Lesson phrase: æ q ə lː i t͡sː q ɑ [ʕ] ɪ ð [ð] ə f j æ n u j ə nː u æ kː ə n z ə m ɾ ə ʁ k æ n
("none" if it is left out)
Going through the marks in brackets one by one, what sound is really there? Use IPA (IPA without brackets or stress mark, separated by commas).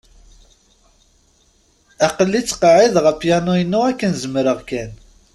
ʕ, ʁ